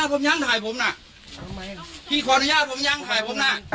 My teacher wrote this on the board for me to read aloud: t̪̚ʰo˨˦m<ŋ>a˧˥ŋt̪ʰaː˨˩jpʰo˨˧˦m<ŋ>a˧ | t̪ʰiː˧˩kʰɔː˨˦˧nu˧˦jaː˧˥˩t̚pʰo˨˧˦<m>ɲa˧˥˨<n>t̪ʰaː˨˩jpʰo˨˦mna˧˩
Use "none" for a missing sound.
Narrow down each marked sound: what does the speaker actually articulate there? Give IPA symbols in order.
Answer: ɲ, n, m, ŋ

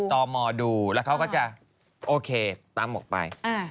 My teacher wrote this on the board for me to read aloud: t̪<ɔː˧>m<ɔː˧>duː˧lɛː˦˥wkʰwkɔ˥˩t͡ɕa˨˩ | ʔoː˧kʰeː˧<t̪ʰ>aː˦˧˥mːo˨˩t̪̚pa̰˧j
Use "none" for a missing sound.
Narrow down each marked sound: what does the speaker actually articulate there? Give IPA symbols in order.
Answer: ɔː˧, ɔː˧, t̪

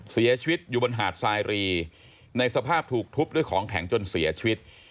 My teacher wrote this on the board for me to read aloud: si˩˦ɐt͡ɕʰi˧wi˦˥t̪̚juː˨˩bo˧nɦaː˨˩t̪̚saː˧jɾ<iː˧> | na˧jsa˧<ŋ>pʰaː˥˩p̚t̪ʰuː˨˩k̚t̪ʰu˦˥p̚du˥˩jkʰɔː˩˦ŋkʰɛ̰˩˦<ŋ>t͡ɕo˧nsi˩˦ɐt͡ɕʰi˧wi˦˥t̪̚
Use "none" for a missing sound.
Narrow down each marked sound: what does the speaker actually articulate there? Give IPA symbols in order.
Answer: iː˧, none, ŋ

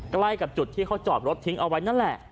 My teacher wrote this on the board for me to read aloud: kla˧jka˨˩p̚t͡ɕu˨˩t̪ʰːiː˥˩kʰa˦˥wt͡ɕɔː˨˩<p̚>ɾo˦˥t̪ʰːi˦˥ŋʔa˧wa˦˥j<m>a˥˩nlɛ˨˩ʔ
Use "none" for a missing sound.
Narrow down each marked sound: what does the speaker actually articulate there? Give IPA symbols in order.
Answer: p̚, n

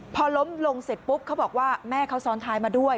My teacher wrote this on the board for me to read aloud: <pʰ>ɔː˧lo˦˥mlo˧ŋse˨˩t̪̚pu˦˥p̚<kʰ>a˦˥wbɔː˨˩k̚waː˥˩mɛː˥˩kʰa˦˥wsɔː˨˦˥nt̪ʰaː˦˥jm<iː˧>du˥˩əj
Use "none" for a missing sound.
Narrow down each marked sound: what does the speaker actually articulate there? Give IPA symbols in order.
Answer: pʰ, kʰ, aː˧

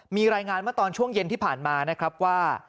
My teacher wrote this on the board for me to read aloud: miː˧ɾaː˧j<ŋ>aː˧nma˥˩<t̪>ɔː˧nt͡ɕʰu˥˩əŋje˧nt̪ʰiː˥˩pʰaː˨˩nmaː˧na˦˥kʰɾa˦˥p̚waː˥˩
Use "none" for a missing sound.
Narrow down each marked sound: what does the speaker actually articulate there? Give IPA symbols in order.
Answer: ŋ, t̪

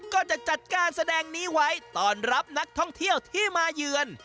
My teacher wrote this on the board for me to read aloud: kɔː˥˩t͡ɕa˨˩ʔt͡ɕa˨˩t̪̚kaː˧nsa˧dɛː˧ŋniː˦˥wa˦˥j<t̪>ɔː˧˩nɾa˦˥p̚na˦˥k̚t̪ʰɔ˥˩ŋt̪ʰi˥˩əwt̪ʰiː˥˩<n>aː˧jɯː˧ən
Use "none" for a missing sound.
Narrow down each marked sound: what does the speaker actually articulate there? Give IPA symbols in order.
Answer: t̪, m

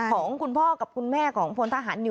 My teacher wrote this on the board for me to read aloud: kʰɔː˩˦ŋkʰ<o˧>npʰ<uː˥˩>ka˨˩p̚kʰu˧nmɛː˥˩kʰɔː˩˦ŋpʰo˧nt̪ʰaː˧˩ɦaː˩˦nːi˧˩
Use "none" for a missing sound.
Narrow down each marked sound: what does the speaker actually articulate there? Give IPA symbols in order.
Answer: u˧, ɔː˥˩

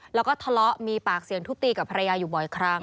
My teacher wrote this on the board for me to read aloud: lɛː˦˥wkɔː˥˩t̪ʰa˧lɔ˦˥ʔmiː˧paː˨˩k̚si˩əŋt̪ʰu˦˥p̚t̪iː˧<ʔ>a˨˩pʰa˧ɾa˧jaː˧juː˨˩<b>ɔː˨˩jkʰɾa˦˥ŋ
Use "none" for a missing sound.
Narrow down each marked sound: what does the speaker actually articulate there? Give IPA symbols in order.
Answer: k, b

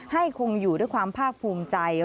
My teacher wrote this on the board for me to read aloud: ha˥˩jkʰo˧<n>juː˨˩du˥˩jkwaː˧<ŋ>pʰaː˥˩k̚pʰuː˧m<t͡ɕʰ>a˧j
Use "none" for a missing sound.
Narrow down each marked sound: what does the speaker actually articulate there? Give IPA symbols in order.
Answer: ŋ, m, t͡ɕ

